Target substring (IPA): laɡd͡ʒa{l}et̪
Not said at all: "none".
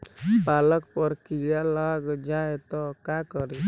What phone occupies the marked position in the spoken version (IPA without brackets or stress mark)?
none